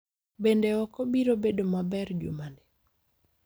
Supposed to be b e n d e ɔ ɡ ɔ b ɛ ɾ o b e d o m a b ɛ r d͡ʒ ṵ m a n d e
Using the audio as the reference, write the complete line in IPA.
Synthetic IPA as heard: b e n d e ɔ k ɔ b i ɾ o b e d o m a b ɛ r d͡ʒ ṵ m a n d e